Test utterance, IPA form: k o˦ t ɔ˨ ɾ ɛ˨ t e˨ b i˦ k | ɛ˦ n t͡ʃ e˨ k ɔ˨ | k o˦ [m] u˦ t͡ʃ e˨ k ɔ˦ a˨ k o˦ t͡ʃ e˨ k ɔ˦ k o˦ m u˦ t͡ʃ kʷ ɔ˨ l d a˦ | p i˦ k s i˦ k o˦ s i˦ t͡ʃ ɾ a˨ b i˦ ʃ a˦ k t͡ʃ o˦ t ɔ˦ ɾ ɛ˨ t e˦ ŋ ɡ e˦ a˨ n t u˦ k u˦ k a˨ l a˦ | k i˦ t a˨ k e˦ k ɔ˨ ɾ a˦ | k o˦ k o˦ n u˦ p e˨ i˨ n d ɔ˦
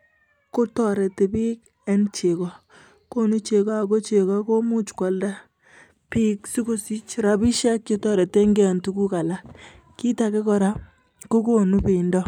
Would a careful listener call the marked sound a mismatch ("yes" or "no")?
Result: yes